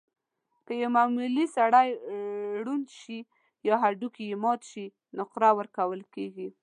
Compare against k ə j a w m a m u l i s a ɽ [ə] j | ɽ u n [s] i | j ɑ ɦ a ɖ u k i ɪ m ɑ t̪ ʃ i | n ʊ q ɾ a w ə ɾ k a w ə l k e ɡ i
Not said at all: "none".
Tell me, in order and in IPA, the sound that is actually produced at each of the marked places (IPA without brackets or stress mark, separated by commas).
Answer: a, ʃ